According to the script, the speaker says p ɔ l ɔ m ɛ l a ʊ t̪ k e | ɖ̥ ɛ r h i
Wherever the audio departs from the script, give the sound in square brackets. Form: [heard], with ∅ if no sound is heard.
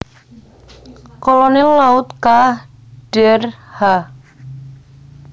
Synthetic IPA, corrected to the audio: [k] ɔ l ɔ [n] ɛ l a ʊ t̪ k [a] | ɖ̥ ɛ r h [a]